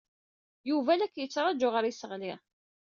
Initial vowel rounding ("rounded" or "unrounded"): rounded